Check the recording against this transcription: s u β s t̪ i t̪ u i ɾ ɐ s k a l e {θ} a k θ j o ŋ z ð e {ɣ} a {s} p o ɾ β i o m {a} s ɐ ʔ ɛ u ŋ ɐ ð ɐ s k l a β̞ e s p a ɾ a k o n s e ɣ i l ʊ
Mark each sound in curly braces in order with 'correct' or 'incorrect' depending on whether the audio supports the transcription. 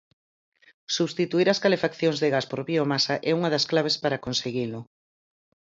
incorrect: f, correct, correct, correct

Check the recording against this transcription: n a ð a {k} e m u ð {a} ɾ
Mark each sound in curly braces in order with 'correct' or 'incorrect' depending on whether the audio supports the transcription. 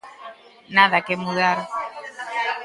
correct, correct

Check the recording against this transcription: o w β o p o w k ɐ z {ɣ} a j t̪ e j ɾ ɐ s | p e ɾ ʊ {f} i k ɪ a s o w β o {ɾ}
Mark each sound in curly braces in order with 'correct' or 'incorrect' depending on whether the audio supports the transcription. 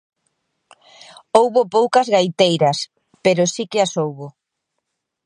correct, incorrect: s, incorrect: none

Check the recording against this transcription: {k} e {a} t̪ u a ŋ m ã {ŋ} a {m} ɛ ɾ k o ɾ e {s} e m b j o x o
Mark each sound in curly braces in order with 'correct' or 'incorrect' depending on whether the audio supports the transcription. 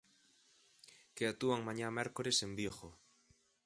correct, correct, incorrect: ɲ, correct, correct

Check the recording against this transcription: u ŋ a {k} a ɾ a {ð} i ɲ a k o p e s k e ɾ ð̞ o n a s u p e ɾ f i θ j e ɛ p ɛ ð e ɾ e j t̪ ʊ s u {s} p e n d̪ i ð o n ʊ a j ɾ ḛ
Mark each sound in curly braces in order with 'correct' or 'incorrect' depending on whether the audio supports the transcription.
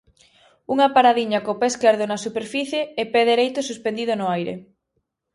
incorrect: p, correct, correct

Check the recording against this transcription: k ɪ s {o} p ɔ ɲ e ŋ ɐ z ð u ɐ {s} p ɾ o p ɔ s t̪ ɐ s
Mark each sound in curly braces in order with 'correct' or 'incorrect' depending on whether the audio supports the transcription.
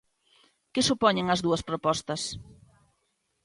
incorrect: u, correct

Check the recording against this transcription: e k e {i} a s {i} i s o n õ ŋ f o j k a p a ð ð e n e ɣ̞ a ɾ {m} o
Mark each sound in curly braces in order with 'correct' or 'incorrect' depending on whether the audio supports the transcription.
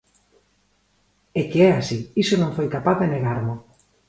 incorrect: ɛ, correct, correct

